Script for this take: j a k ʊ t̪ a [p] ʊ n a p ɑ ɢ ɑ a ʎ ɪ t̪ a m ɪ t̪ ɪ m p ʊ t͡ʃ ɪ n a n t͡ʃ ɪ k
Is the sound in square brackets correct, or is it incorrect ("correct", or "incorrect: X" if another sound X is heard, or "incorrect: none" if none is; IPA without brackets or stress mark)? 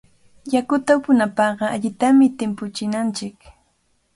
correct